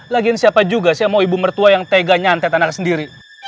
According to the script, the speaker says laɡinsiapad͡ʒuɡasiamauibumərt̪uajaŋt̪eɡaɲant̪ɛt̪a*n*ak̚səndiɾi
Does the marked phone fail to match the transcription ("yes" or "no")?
no